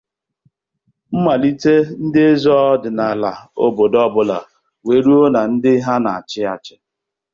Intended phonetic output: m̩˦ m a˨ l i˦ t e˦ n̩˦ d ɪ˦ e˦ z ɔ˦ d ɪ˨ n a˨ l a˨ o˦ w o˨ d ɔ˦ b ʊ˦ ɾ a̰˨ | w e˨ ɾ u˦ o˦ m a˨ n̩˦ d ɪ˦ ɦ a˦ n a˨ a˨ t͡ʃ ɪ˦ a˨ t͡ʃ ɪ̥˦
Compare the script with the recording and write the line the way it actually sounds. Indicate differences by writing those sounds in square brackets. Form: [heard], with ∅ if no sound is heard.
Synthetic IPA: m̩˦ m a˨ l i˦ t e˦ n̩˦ d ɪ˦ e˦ z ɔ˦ d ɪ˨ n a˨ l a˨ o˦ [b] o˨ d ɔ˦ b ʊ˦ [l] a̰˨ | w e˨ ɾ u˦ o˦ [n] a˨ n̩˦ d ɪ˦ ɦ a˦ n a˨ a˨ t͡ʃ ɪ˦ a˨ t͡ʃ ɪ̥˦